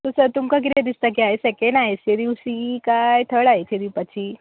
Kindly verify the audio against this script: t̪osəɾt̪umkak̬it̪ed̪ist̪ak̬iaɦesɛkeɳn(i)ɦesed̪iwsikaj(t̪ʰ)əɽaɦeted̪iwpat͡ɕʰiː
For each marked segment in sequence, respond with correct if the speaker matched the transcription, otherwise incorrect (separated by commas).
incorrect, correct